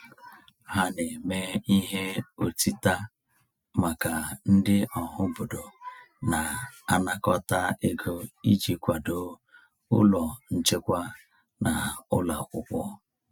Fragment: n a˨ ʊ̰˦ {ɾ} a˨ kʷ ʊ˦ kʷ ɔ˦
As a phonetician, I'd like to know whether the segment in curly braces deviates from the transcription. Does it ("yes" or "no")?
yes